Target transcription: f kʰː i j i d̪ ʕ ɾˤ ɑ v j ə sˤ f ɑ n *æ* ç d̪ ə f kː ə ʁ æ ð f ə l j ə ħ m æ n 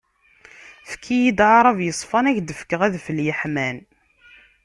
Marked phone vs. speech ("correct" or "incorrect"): correct